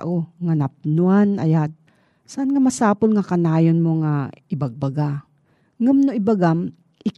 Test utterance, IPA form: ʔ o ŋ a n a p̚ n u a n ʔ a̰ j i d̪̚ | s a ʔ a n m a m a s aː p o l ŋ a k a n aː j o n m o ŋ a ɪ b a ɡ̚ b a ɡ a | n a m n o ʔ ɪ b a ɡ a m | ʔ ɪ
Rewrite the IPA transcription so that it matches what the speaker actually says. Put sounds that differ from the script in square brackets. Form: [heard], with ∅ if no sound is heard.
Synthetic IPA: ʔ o ŋ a n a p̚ n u a n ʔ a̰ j [a] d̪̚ | s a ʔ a n [ŋ] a m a s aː p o l ŋ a k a n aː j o n m o ŋ a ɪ b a ɡ̚ b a ɡ a | [ŋ] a m n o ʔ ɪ b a ɡ a m | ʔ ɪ